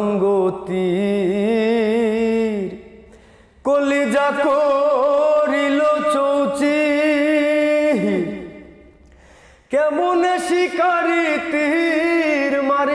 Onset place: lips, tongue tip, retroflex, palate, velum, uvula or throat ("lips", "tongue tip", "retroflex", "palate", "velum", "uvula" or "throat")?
velum